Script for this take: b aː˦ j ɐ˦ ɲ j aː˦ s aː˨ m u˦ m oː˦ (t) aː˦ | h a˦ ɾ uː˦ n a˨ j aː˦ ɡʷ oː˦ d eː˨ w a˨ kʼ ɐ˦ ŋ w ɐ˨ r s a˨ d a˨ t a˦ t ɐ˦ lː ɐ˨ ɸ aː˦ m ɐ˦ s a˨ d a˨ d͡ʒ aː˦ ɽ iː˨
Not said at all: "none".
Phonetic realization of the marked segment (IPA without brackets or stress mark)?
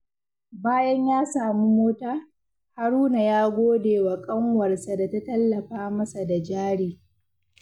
t